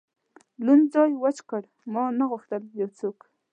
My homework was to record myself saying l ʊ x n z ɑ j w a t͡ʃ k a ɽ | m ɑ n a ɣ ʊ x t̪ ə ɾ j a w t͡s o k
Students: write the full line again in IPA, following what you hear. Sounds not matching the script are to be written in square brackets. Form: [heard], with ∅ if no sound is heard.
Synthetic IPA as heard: l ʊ [∅] n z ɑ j w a t͡ʃ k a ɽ | m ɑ n a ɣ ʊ x t̪ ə [l] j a w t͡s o k